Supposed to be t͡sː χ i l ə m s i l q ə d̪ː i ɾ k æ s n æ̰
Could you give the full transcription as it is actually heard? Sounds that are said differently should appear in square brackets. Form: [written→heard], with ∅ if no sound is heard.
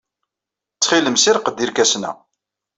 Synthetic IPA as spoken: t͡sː χ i l ə m s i [l→ɾ] q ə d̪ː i ɾ k æ s n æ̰